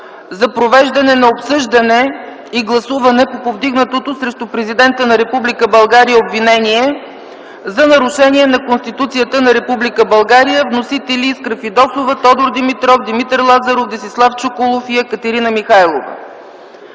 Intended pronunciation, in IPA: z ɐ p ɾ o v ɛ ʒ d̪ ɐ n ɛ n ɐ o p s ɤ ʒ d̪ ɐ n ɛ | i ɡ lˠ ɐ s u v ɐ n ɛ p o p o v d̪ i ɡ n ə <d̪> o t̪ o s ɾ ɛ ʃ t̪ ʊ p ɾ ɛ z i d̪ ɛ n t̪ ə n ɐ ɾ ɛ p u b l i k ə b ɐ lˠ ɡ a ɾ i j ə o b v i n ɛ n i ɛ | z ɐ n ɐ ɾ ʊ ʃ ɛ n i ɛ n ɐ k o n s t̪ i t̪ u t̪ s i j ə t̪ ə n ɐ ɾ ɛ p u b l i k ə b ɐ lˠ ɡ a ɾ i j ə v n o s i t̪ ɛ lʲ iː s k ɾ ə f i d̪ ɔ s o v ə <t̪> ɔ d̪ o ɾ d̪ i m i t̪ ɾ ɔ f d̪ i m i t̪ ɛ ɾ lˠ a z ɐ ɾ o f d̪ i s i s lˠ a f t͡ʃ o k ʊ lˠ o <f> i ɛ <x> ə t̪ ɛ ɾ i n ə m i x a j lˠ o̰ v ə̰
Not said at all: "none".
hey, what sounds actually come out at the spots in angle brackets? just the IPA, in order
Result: t̪, t̪, f, k

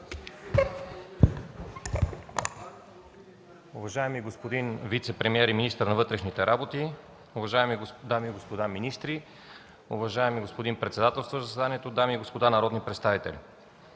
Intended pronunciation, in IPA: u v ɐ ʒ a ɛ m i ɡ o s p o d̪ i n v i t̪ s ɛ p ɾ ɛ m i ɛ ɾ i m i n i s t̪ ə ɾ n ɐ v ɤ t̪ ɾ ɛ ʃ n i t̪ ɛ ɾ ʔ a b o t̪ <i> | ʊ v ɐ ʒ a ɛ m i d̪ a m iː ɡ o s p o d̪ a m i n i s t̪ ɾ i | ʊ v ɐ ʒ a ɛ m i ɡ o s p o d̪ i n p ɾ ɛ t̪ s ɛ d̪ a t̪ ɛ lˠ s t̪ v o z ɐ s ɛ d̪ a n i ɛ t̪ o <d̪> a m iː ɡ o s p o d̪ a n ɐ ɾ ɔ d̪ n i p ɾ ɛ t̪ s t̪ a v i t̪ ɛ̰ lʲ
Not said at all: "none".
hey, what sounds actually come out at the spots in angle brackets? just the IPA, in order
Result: i, d̪

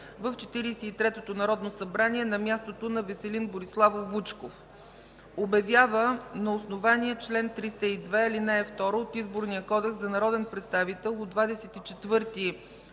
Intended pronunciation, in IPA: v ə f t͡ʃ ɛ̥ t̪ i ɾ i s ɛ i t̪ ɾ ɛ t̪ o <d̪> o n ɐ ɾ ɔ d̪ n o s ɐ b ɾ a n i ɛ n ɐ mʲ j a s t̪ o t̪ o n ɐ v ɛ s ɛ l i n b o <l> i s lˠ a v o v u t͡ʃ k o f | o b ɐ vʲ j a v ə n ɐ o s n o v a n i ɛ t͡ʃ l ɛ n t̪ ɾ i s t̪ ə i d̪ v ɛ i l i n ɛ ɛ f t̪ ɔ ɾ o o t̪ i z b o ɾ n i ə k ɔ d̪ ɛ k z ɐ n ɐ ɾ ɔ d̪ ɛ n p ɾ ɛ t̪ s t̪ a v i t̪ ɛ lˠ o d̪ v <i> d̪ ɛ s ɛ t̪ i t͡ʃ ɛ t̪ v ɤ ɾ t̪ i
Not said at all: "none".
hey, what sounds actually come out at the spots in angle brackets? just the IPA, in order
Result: t̪, ɾ, a

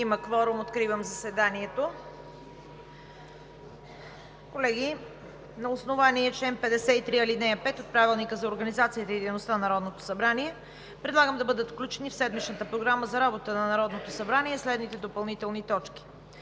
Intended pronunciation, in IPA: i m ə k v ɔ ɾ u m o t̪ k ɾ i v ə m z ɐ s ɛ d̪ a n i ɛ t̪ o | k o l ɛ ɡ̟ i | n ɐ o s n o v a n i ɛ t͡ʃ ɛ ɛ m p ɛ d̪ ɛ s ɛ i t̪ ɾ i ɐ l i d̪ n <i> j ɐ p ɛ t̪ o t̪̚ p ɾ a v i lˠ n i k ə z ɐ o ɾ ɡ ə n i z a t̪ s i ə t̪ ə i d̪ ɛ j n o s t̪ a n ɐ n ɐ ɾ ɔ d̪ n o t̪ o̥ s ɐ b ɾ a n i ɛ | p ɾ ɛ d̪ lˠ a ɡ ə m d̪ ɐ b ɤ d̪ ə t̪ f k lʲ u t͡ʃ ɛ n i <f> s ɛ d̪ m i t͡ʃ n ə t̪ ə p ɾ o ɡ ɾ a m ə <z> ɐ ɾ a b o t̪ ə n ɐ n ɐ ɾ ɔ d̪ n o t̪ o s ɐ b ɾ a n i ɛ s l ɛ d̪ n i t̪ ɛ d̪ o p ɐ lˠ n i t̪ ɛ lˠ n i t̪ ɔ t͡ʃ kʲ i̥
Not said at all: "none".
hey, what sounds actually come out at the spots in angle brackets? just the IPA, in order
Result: ɛ, f, z

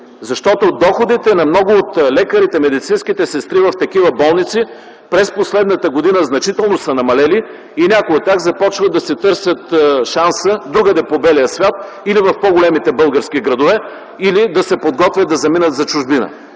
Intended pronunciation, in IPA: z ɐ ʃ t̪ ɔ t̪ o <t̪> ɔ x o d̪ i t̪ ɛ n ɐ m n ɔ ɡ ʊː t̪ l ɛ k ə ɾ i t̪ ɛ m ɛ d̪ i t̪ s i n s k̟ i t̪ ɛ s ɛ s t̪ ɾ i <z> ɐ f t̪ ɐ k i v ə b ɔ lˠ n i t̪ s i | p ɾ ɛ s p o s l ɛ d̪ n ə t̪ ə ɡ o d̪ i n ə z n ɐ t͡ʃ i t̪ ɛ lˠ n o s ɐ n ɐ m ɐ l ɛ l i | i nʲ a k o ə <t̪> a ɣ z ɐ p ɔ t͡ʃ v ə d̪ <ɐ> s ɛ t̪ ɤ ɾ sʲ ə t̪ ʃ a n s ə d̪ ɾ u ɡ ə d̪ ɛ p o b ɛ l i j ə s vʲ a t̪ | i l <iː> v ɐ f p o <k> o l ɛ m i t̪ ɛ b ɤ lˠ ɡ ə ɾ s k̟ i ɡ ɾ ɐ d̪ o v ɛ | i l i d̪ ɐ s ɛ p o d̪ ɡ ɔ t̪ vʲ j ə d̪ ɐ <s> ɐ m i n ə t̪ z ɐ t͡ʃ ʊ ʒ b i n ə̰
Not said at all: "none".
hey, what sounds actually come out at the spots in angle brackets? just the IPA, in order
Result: d̪, v, t̪, ɐ, i, ɡ, z

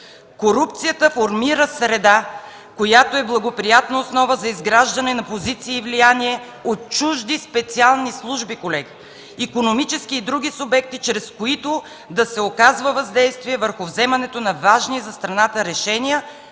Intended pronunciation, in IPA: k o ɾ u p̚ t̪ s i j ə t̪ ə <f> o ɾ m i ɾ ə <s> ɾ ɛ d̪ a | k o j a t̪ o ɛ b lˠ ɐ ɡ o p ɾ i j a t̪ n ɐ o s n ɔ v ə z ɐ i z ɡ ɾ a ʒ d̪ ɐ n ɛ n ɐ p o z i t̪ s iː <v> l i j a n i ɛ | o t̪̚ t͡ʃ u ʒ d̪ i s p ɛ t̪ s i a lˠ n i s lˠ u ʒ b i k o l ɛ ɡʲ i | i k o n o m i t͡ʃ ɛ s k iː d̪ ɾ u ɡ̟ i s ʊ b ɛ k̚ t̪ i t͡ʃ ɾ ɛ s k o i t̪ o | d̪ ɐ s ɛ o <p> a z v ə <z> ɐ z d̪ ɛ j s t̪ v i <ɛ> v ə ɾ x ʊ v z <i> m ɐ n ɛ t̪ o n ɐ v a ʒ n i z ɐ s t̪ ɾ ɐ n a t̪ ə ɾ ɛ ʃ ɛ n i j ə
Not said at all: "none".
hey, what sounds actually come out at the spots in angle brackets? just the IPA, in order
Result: f, s, v, k, v, ɛ, ɛ

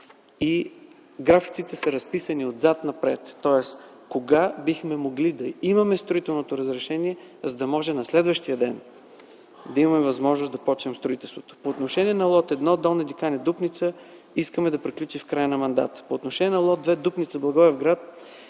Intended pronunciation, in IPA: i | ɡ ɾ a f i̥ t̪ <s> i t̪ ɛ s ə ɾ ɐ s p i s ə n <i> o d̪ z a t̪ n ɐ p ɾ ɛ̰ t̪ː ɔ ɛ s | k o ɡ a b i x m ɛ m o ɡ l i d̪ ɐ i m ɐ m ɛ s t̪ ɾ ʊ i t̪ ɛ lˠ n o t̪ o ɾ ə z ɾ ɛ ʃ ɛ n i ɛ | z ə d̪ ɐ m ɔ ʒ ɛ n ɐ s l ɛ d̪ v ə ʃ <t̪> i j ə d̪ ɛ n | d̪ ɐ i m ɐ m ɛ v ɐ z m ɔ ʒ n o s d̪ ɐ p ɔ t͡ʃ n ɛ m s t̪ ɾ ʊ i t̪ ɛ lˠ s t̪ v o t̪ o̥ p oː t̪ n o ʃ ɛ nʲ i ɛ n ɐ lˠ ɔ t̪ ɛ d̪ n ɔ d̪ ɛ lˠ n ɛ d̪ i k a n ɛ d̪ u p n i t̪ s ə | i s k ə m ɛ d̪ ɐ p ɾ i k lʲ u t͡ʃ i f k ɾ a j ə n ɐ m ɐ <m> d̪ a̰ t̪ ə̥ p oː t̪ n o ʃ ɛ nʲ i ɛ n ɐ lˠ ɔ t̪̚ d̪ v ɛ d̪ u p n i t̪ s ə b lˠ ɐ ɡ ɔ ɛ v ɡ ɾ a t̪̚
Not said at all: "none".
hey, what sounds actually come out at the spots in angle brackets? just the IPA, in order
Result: s, i, t̪, n

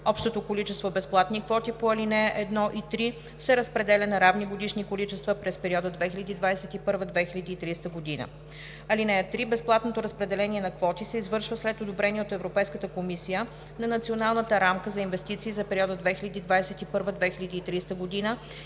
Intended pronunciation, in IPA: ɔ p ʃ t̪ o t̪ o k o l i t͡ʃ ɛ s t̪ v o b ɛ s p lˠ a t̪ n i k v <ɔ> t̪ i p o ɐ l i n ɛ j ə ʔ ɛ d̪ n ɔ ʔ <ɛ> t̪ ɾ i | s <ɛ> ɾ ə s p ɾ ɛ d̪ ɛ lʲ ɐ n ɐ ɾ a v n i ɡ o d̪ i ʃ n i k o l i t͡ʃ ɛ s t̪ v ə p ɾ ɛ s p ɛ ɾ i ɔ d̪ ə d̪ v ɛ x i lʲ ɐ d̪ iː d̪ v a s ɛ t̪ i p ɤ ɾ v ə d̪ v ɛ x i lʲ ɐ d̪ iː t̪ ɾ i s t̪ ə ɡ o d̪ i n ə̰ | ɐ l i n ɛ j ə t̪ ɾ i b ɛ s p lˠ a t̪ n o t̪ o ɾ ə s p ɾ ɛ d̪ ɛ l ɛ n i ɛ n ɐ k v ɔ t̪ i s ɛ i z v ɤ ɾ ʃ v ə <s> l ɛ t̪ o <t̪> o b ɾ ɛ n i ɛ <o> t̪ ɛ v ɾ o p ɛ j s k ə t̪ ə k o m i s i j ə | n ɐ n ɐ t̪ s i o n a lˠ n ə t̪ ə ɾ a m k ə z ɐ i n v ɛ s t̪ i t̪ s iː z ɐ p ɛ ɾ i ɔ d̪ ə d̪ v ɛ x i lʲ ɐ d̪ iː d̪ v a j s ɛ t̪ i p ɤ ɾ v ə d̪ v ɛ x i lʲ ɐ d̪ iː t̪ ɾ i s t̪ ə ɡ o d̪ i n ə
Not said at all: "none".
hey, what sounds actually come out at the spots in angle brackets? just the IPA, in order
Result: ɔ, i, ɛ, s, d̪, o

